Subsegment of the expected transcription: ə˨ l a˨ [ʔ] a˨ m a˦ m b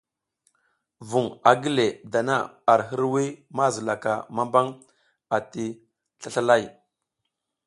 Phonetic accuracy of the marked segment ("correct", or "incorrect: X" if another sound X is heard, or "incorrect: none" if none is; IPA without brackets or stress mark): incorrect: k